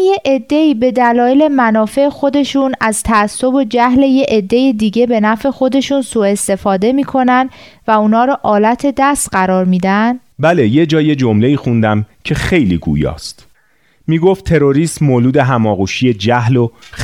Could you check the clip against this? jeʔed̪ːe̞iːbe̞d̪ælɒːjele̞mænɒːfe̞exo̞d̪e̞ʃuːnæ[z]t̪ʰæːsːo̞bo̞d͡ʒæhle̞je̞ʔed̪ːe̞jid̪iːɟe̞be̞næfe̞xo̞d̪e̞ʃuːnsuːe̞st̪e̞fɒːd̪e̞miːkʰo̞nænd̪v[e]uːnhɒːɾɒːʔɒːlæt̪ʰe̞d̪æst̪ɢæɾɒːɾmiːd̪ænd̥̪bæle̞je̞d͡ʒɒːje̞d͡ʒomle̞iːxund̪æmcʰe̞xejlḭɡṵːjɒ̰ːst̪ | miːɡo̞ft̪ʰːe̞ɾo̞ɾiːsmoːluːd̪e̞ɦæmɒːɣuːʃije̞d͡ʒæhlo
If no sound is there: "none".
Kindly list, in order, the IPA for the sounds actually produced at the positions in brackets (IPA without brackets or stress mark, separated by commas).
z, æ